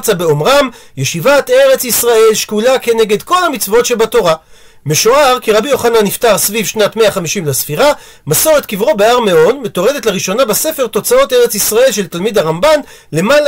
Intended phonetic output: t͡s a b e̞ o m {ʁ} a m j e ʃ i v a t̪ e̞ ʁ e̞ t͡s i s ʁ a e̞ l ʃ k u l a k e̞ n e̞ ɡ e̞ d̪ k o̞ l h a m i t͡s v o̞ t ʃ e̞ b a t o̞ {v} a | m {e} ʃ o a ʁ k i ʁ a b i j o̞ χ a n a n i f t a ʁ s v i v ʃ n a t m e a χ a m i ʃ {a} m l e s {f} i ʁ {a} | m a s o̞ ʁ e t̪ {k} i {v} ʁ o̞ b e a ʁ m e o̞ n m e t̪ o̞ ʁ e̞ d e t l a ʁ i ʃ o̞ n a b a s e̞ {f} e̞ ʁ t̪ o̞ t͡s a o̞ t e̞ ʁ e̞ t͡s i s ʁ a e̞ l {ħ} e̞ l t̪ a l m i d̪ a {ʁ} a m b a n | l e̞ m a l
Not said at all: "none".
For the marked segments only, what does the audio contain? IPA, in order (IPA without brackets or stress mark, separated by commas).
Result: ʁ, ʁ, e, i, f, a, k, v, f, ʃ, ʁ